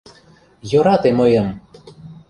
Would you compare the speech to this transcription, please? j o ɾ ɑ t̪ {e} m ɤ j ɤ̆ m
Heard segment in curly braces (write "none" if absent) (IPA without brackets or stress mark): e